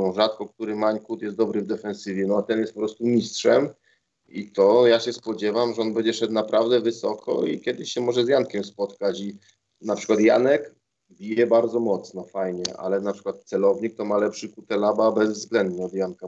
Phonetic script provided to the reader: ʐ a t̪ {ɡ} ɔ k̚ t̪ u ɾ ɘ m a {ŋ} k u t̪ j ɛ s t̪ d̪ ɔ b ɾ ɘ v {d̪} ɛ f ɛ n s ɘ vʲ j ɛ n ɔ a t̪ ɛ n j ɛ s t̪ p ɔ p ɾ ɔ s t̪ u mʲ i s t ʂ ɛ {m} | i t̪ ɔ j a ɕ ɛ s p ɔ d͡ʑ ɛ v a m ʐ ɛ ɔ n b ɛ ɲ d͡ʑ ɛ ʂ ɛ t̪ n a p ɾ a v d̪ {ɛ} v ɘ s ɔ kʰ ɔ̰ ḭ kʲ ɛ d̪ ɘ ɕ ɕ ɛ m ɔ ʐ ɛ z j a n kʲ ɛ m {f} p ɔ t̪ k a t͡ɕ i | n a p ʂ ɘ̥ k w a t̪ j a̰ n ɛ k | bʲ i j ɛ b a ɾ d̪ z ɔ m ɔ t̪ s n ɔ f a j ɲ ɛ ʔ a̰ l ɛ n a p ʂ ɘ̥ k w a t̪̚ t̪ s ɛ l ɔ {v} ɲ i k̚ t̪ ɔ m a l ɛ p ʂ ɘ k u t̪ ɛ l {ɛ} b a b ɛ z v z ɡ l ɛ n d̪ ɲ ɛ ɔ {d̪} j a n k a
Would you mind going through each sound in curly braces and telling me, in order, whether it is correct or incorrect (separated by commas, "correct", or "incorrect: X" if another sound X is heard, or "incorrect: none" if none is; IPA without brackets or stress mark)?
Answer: incorrect: k, incorrect: ɲ, correct, correct, correct, incorrect: s, correct, incorrect: a, correct